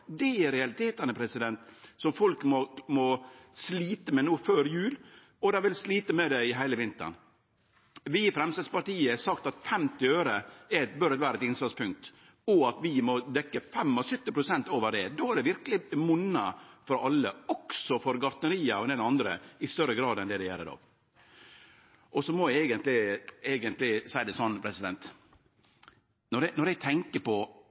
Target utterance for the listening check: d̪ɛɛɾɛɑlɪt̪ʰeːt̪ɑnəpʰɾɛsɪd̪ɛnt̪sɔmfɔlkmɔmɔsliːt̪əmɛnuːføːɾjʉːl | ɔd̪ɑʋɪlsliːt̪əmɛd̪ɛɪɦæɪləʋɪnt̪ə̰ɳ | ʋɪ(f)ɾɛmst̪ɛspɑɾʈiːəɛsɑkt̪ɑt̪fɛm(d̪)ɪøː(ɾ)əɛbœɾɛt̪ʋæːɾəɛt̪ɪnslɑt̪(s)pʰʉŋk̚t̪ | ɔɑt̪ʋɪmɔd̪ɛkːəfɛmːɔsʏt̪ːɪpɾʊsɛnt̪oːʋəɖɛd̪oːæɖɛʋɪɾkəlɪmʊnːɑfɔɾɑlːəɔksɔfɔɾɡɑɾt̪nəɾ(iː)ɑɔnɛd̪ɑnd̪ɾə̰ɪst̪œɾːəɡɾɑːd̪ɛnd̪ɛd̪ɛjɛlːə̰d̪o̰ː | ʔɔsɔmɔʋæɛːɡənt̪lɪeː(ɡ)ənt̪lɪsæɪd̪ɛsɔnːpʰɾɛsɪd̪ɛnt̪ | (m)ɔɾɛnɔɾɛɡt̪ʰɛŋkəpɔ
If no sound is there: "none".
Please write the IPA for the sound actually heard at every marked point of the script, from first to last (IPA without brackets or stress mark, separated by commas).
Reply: f, t̪, ɾ, s, iː, ɡ, n